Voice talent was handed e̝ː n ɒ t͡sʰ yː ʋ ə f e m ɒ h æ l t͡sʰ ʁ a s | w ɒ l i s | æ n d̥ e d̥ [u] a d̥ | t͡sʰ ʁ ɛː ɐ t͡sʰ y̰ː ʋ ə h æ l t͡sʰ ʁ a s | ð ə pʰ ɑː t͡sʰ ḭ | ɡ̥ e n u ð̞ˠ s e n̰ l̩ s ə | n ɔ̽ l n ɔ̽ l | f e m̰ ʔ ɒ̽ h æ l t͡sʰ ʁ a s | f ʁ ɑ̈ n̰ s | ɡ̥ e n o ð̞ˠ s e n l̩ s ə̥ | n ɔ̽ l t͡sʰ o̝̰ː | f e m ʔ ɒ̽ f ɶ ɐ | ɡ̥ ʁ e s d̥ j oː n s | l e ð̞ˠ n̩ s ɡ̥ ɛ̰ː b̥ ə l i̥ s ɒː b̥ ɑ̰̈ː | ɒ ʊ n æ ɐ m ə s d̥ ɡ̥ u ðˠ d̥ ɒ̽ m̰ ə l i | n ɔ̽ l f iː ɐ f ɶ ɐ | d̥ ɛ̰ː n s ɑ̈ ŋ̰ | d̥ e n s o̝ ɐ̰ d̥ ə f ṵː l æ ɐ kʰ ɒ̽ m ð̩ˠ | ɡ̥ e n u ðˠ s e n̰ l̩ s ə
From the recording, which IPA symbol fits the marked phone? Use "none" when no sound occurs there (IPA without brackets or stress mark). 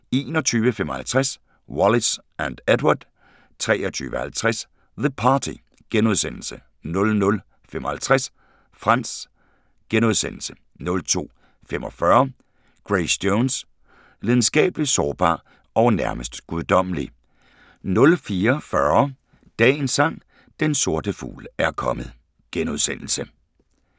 w